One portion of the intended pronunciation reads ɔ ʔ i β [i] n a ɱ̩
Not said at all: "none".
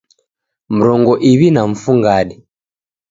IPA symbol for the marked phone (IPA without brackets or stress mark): i